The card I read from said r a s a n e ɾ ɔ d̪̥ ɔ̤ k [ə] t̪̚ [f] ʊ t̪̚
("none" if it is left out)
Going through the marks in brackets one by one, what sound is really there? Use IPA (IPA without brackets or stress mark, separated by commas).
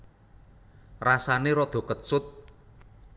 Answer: ə, s